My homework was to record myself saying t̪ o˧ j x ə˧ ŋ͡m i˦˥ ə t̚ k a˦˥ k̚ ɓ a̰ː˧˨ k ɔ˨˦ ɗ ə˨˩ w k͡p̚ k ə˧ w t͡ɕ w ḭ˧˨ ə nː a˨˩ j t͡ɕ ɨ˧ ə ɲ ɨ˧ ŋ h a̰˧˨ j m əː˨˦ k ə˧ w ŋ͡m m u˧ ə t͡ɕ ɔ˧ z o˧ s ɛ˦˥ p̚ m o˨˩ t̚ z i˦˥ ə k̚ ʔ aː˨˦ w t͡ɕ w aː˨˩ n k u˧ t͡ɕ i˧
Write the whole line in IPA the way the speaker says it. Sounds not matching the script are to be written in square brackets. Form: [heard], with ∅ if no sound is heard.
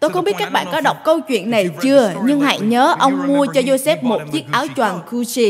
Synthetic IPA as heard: t̪ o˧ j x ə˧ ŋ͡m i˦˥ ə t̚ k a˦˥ k̚ ɓ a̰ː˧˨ k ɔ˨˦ ɗ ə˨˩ w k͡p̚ k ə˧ w t͡ɕ w ḭ˧˨ ə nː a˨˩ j t͡ɕ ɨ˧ ə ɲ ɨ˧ ŋ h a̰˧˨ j [ɲ] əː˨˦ [ʔ] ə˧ w ŋ͡m m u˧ ə t͡ɕ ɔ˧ z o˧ s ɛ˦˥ p̚ m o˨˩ t̚ z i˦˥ ə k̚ ʔ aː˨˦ w t͡ɕ w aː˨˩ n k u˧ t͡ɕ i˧